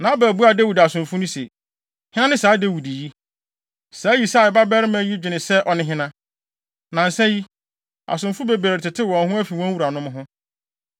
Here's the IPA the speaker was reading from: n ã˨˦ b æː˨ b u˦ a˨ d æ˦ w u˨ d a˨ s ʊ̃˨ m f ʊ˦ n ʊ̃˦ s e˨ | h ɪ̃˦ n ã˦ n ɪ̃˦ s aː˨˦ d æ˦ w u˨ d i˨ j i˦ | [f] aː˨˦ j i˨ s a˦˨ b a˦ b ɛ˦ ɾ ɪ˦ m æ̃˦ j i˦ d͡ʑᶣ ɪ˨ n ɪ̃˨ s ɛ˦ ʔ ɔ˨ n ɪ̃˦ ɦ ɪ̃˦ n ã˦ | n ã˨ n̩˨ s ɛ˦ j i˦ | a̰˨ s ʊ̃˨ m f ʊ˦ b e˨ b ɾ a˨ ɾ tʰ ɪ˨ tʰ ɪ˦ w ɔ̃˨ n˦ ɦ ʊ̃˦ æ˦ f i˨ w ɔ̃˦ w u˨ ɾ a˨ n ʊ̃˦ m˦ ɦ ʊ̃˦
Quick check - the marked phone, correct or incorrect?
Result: incorrect